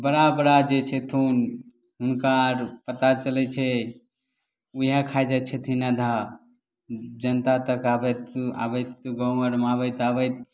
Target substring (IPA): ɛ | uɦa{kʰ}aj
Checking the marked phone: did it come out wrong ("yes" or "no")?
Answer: no